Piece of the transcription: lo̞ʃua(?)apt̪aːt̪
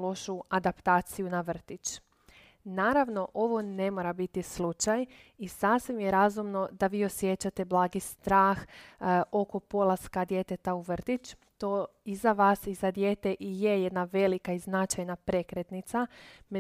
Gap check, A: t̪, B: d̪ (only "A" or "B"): B